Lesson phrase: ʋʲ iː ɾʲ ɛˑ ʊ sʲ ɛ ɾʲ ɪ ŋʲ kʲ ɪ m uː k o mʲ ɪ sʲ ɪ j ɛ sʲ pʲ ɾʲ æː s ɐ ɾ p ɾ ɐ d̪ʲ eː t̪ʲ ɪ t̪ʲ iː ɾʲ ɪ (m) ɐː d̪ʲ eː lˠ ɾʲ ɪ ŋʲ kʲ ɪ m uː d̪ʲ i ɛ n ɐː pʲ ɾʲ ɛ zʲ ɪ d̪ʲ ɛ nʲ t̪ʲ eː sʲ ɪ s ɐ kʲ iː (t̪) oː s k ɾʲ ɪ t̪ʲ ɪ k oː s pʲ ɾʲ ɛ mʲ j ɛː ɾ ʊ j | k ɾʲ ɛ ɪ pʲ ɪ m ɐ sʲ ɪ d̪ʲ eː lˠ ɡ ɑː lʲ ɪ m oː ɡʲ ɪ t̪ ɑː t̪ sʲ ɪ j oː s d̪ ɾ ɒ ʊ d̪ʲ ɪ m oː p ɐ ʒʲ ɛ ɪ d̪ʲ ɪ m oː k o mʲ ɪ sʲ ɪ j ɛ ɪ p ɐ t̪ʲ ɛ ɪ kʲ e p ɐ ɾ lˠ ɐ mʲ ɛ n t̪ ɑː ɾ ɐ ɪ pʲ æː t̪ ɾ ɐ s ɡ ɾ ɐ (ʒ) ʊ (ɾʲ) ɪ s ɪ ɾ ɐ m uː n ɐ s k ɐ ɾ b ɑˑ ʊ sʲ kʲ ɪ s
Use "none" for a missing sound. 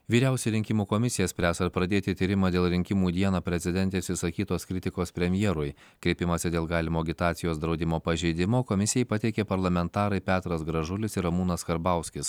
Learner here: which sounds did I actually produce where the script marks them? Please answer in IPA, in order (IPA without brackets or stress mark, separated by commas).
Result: m, t̪, ʒ, lʲ